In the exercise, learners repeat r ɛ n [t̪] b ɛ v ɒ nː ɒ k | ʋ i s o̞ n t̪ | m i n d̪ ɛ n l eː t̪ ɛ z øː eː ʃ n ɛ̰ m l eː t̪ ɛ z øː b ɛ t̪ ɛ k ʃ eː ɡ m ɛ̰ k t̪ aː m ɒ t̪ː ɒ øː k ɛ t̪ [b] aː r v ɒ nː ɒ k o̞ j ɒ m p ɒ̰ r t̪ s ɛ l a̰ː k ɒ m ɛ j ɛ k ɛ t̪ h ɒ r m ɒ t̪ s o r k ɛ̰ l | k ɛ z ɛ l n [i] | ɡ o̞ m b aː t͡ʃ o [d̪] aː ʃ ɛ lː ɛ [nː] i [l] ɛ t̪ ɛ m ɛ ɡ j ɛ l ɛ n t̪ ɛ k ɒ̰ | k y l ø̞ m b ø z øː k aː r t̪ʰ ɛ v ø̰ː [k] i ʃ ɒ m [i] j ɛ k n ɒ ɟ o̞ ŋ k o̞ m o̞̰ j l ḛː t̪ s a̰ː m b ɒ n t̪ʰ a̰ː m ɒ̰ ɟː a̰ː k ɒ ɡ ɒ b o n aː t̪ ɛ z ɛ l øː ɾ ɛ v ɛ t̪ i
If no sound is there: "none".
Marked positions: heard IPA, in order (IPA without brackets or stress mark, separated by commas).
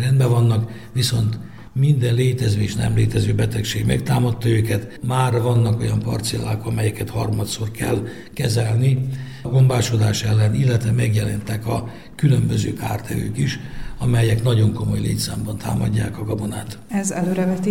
d̪, m, i, d̪, n, lː, k, ɛ